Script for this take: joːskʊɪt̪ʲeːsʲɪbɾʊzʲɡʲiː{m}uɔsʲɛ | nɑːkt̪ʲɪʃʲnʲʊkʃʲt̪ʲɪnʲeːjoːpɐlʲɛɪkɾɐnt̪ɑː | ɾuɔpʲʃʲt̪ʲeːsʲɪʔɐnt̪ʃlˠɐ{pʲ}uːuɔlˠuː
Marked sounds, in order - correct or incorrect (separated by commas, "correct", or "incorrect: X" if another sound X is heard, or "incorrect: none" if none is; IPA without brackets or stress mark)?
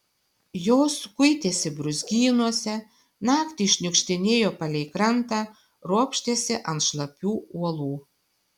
incorrect: n, correct